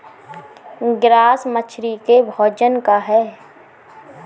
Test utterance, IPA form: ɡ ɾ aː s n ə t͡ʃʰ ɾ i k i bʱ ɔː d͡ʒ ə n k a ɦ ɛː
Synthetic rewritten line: ɡ ɾ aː s m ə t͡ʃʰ ɾ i k e bʱ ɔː d͡ʒ ə n k a ɦ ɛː